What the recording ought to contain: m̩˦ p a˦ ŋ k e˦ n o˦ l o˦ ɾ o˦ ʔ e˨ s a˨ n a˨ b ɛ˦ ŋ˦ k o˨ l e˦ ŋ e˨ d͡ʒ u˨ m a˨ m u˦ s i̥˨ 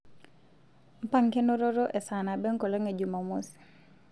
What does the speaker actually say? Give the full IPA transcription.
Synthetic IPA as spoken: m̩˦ p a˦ ŋ k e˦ n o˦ ɾ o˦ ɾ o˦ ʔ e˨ s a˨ n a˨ b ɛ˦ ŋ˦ k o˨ l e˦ ŋ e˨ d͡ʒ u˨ m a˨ m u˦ s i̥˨